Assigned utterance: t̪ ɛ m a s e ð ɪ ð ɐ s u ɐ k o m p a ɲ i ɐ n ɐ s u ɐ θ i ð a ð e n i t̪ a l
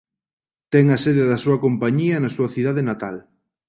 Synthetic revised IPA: t̪ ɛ ŋ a s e ð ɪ ð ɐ s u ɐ k o m p a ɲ i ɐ n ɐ s u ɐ θ i ð a ð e n a t̪ a l